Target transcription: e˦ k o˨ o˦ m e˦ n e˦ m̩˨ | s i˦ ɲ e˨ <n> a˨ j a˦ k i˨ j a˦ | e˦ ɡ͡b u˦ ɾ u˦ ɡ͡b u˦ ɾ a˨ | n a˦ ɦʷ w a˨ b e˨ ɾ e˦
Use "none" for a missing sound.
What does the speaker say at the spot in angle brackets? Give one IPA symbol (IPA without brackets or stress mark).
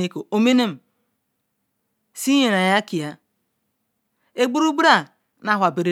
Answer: n